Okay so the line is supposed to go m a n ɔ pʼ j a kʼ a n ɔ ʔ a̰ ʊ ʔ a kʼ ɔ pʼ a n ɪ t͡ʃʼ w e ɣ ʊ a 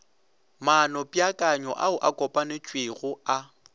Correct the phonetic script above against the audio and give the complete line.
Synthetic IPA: m a n ɔ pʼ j a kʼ a ɲ ɔ ʔ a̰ ʊ ʔ a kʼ ɔ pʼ a n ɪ t͡ʃʼ w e ɣ ʊ a